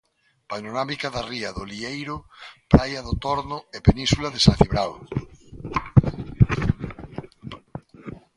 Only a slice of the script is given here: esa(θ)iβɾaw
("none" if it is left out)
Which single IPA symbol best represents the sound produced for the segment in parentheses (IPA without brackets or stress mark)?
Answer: θ